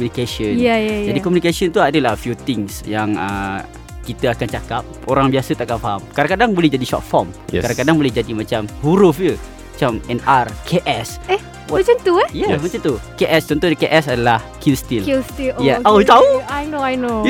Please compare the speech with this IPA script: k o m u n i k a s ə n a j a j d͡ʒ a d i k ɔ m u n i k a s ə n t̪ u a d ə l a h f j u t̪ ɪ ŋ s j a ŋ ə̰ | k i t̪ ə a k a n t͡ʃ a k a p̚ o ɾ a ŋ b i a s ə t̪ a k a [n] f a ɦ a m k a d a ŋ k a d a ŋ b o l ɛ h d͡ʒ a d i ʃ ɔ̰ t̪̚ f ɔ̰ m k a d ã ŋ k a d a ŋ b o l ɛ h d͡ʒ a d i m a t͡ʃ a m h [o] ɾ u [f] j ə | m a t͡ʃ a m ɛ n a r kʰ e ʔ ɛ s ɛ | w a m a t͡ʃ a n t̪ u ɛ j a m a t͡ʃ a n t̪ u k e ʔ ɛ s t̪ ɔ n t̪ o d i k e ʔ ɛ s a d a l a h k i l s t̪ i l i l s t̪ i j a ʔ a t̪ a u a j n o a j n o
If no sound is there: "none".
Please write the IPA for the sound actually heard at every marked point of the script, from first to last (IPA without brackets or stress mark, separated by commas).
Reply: n, u, f